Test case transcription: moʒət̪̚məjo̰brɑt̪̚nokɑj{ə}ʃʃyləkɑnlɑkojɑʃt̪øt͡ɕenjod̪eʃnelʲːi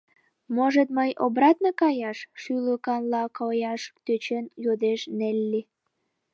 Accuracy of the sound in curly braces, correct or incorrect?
incorrect: ɑ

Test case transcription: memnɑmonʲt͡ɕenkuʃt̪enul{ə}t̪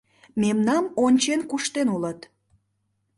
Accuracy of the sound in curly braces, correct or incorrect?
correct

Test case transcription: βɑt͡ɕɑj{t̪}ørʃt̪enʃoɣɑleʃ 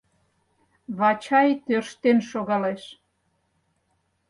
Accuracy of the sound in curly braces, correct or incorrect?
correct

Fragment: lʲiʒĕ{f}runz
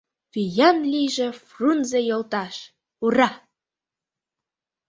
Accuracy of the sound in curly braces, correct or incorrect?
correct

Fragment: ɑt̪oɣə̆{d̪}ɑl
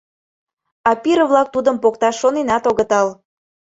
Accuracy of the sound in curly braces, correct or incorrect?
incorrect: t̪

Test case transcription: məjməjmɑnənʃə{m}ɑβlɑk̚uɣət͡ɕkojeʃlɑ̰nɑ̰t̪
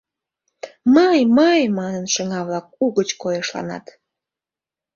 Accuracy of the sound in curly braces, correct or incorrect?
incorrect: ŋ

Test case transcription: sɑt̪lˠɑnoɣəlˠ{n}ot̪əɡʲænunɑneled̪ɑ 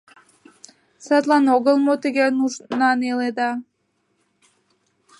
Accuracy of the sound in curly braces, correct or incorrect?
incorrect: m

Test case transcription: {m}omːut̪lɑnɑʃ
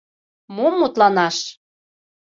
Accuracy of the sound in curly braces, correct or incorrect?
correct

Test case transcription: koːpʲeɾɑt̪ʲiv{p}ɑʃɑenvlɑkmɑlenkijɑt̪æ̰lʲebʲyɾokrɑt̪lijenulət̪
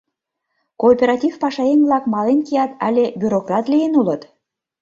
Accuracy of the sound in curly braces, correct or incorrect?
correct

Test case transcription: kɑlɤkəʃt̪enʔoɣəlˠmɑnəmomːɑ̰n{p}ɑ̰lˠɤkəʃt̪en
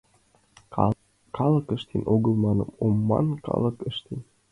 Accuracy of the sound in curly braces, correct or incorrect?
incorrect: k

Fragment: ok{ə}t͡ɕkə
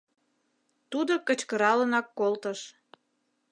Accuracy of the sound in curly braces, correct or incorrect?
correct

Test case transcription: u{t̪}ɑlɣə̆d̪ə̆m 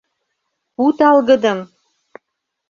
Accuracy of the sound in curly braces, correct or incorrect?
correct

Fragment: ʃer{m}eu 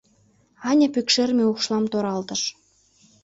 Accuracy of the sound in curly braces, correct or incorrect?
correct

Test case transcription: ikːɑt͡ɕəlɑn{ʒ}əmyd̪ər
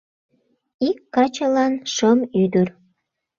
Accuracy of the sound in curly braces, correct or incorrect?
incorrect: ʃ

